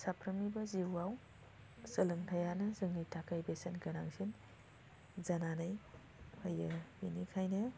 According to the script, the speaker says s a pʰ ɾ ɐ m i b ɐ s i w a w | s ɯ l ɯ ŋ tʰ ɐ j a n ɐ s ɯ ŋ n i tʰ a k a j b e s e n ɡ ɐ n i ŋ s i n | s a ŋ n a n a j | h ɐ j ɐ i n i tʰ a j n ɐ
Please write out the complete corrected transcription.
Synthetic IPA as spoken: s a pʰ ɾ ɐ m i b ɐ z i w a w | s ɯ l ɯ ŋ tʰ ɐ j a n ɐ z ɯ ŋ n i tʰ a k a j b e s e n ɡ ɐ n a ŋ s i n | z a n a n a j | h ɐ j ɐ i n i kʰ a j n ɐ